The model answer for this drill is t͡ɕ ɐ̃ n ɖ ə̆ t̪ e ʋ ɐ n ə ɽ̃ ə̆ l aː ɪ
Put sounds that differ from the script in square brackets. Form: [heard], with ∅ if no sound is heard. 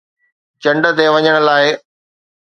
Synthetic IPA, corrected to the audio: t͡ɕ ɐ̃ [ɳ] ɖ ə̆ t̪ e ʋ ɐ [ɲ] ə ɽ̃ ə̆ l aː ɪ